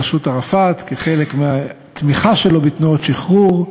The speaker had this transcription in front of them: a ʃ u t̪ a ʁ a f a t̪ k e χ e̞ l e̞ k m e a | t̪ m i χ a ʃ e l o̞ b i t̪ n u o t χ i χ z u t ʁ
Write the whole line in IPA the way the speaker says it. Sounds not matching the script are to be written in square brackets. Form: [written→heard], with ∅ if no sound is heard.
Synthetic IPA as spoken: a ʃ u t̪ a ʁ a f a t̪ k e χ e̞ l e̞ k m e a | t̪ m i χ a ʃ e l o̞ b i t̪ n u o t [χ→ʃ] i χ [z→ʁ] u [t→∅] ʁ